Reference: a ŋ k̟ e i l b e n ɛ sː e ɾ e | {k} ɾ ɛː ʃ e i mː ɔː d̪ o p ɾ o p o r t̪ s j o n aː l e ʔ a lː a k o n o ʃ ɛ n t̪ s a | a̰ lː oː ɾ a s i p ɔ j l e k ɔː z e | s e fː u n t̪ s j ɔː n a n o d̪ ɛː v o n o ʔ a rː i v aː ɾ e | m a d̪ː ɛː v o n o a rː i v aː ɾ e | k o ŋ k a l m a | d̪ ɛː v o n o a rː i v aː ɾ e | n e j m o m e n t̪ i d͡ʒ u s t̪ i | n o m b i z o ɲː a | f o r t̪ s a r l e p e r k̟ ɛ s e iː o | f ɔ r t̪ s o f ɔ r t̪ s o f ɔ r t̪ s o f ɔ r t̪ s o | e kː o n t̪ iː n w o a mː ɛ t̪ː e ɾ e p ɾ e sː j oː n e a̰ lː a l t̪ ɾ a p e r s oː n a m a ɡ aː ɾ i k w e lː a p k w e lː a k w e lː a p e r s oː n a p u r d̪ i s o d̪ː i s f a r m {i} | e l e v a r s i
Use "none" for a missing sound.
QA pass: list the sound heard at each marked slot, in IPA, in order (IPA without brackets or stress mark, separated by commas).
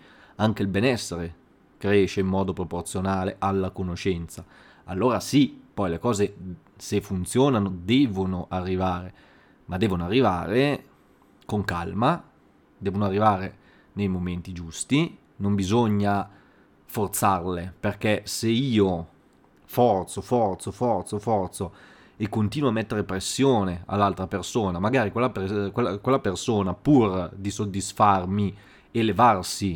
k, i